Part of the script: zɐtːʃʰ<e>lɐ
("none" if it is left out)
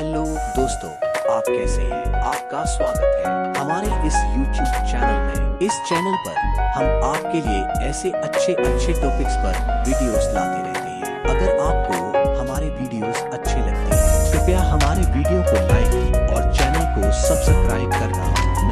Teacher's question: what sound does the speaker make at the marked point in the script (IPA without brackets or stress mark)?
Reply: e